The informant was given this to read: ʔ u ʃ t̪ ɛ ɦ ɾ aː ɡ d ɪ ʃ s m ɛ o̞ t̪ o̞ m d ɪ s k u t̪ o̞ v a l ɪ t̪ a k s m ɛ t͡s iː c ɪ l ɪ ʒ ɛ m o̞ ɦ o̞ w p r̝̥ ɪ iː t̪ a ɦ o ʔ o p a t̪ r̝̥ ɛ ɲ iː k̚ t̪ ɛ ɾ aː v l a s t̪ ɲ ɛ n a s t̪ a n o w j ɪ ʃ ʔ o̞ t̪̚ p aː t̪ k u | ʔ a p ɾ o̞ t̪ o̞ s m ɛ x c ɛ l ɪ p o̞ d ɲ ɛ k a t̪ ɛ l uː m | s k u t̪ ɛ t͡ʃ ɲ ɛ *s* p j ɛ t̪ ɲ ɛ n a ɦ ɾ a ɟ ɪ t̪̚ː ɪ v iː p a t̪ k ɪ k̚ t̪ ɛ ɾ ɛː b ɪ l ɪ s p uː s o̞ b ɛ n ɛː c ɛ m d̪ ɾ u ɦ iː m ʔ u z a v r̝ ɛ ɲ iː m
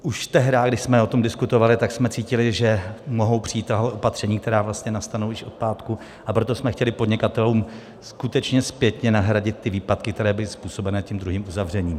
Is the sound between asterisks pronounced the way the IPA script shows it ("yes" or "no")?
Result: yes